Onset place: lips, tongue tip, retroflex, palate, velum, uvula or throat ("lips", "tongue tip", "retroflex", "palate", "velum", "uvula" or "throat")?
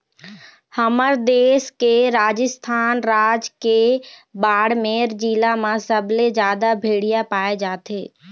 throat